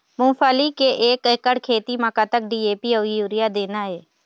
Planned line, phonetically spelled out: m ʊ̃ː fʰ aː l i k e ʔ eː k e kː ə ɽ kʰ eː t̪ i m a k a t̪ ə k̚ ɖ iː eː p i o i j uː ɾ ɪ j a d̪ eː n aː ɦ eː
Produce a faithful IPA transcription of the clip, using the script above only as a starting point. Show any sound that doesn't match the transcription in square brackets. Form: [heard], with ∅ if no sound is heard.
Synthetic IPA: m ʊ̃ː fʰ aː l i k e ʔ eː k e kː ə ɽ kʰ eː t̪ i m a k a t̪ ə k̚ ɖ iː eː p i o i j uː ɾ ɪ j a d̪ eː n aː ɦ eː